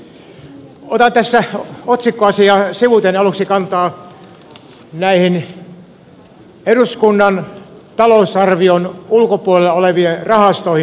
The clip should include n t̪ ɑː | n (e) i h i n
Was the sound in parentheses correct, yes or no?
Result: no